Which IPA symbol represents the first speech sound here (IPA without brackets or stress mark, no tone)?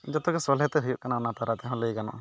d͡ʒ